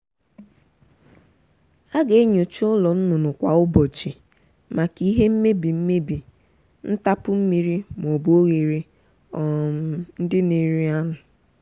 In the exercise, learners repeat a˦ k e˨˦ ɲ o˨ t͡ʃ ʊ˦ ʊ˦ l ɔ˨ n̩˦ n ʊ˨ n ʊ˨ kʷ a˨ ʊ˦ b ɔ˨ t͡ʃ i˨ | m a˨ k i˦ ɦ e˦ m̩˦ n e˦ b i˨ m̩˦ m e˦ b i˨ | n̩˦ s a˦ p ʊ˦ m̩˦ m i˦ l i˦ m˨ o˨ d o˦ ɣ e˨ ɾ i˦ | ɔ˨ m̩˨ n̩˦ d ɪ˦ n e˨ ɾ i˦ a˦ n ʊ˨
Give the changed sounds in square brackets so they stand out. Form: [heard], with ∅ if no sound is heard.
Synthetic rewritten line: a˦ [ɡ] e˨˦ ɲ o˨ t͡ʃ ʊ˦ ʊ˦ l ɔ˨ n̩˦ n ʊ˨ n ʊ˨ kʷ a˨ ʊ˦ b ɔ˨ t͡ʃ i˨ | m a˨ k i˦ ɦ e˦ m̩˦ [m] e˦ b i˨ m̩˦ m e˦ b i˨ | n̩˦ [t] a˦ p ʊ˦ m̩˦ m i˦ [ɾ] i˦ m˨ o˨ [b] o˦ ɣ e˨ ɾ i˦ | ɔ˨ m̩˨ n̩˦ d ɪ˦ n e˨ ɾ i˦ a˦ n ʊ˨

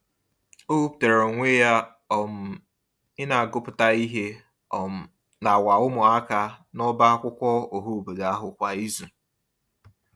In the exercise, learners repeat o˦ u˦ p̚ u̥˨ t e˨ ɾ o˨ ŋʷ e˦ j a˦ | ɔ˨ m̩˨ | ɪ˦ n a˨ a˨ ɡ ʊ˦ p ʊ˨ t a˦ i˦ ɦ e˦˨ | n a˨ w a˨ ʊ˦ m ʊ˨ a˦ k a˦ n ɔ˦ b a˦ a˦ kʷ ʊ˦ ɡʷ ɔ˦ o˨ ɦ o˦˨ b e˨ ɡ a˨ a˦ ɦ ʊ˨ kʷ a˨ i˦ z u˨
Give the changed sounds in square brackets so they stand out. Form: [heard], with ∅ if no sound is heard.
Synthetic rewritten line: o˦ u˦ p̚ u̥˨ t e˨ ɾ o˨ ŋʷ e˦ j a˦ | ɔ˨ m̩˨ | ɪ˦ n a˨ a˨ ɡ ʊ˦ p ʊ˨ t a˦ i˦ ɦ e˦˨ | n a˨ w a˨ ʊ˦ m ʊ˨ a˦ k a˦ n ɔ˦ b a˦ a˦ kʷ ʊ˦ [kʷ] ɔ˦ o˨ ɦ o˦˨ b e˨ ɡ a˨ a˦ ɦ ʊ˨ kʷ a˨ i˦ z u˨

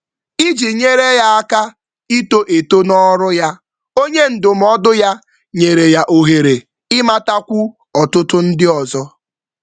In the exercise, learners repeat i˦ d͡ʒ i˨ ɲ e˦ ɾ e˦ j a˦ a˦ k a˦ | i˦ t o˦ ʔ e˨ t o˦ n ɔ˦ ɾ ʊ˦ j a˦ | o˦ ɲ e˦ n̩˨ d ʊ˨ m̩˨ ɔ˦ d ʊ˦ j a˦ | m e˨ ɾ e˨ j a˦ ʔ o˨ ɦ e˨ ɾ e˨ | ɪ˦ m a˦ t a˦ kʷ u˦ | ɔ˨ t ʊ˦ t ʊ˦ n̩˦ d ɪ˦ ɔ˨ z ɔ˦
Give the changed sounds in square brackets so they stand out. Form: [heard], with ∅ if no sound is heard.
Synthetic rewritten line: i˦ d͡ʒ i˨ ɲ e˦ ɾ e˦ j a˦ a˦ k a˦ | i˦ t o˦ ʔ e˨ t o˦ n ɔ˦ ɾ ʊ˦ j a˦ | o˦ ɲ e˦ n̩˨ d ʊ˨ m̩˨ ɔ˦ d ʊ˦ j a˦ | [ɲ] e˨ ɾ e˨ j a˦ ʔ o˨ ɦ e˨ ɾ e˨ | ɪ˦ m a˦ t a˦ kʷ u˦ | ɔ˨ t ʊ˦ t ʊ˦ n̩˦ d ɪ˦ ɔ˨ z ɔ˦

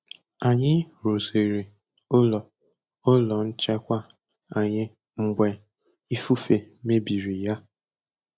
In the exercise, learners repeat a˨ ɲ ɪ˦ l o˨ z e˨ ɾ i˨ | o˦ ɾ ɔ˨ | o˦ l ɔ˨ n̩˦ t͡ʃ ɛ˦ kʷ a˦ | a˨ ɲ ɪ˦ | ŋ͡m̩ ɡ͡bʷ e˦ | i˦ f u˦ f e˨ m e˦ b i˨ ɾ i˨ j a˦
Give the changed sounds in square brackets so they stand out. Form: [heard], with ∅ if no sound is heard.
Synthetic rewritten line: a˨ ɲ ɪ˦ [ɾ] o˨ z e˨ ɾ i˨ | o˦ [l] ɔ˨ | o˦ l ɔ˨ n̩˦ t͡ʃ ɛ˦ kʷ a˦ | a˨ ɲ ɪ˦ | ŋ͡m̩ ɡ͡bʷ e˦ | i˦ f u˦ f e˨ m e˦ b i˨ ɾ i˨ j a˦

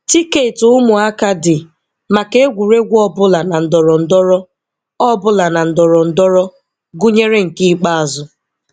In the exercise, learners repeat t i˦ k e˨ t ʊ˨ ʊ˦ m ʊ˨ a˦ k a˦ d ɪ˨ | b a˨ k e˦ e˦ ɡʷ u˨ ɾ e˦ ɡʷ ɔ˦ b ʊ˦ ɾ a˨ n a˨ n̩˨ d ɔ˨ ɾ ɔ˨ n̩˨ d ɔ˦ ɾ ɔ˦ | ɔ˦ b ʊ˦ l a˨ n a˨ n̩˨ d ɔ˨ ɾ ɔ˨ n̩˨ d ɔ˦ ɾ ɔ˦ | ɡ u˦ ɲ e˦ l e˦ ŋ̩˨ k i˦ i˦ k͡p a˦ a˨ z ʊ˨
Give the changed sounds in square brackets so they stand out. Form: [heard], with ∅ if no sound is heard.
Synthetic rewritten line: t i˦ k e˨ t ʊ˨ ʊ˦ m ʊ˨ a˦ k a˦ d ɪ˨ | [m] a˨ k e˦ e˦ ɡʷ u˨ ɾ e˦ ɡʷ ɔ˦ b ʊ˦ [l] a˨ n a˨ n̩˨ d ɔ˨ ɾ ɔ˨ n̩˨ d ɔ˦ ɾ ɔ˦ | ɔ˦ b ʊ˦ l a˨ n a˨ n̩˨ d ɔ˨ ɾ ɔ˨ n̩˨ d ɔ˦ ɾ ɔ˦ | ɡ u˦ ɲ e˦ [ɾ] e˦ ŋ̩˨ k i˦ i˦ k͡p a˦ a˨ z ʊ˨

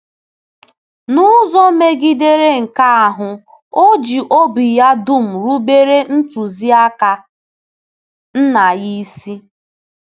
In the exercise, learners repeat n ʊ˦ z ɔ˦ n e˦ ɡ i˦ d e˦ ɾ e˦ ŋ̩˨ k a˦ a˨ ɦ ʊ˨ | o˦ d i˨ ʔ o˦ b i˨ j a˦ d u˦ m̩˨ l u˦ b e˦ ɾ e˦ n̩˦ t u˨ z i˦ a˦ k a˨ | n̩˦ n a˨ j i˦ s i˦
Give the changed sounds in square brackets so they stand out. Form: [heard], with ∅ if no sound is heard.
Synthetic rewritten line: n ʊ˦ z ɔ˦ [m] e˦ ɡ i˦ d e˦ ɾ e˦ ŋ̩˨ k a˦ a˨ ɦ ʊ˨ | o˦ [d͡ʒ] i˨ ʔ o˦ b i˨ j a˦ d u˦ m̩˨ [ɾ] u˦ b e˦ ɾ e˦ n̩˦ t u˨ z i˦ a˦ k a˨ | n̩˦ n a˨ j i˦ s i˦

